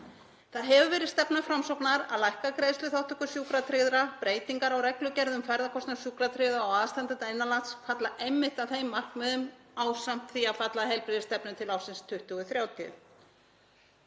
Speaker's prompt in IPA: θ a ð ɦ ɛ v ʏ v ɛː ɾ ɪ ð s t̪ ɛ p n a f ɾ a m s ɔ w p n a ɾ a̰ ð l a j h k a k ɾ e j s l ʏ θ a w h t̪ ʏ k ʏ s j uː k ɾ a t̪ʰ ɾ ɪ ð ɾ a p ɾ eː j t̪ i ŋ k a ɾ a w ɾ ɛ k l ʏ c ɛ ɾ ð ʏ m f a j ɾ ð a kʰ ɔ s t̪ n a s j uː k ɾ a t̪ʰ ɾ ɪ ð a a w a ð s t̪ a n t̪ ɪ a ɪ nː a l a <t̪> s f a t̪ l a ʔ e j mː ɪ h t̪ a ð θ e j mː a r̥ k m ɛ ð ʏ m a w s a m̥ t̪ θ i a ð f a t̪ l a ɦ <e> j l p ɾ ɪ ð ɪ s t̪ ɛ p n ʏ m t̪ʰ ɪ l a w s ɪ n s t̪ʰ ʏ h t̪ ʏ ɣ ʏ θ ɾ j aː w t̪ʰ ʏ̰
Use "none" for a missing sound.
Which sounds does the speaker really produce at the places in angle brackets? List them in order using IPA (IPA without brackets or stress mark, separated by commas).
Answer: t̪, ɛ